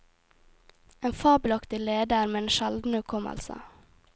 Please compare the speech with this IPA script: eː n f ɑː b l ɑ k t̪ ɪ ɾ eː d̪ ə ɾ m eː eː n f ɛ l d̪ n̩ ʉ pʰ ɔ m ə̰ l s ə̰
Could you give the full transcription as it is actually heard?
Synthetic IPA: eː n f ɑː b l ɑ k t̪ ɪ l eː d̪ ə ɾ m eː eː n ʃ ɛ l d̪ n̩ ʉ kʰ ɔ m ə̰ l s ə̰